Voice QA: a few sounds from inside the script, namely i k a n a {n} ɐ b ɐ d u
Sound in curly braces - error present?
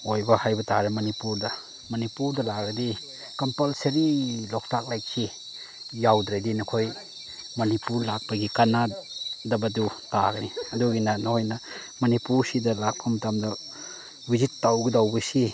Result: yes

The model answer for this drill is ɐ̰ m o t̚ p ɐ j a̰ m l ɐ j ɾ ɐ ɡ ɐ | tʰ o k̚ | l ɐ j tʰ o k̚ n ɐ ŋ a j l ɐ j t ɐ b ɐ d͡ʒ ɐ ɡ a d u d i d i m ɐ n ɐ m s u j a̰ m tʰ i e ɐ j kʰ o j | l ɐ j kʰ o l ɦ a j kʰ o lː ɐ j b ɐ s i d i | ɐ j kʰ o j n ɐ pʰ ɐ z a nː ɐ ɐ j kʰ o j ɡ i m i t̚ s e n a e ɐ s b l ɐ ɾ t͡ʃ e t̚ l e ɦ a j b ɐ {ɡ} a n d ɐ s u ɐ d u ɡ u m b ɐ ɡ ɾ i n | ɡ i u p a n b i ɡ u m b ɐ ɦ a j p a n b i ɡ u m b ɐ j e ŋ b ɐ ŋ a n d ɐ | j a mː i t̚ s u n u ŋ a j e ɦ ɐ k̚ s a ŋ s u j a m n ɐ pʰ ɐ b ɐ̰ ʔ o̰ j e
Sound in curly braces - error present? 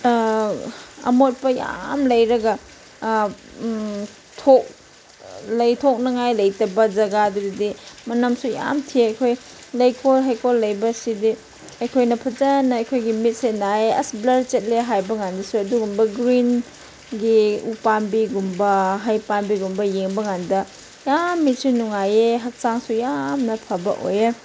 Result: yes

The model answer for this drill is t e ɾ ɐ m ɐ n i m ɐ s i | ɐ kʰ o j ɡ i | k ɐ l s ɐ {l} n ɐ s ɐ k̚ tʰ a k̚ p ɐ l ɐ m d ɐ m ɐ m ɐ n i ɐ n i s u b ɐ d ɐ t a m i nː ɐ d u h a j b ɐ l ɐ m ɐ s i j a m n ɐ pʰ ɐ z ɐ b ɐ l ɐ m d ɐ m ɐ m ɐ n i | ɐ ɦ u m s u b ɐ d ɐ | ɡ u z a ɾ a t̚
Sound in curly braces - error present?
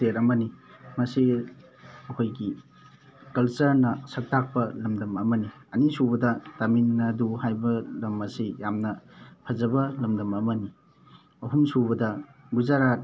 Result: yes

